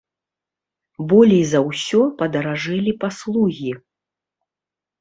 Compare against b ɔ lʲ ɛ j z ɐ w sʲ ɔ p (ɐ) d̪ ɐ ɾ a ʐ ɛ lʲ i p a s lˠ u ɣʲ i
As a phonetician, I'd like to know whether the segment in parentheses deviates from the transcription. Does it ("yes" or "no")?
no